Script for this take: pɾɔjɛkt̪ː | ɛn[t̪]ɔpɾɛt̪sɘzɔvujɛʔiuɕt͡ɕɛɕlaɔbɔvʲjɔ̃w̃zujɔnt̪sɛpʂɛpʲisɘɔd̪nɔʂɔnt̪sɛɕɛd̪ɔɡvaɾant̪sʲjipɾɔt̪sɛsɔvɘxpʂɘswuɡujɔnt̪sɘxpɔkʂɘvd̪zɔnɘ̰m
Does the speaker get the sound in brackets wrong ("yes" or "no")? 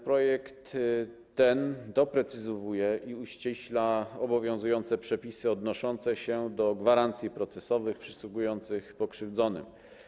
yes